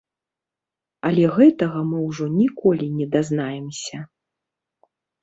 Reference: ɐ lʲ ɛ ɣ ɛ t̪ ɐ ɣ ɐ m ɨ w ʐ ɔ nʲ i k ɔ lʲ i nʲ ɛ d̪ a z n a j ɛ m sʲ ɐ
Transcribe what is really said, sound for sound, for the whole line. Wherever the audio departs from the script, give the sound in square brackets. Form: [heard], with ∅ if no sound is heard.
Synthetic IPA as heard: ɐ lʲ ɛ ɣ ɛ t̪ ɐ ɣ ɐ m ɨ w ʐ ɔ nʲ i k ɔ lʲ i nʲ ɛ d̪ a z n a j ɛ m sʲ ɐ